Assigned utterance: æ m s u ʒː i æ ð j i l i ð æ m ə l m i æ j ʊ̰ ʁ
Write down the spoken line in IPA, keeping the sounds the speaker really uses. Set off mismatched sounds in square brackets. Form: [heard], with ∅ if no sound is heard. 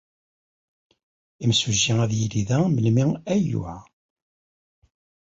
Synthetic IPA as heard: [i] m s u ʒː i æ ð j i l i ð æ m ə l m i æ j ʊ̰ [ʕ]

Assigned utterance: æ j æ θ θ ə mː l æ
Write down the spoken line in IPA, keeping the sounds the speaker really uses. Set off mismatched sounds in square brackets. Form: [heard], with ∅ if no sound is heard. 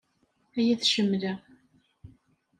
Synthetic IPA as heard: æ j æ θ [ʃ] ə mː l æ

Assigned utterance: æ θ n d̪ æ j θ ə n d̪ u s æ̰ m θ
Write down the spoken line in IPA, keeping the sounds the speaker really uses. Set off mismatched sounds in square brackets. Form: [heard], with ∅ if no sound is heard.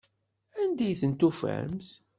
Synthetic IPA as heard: æ [∅] n d̪ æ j θ ə n [t̪] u [f] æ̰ m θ

